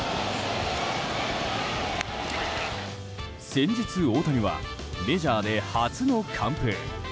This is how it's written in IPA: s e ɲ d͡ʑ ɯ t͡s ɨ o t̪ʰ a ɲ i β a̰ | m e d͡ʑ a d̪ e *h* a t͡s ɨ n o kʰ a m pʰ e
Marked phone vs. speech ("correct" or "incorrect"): correct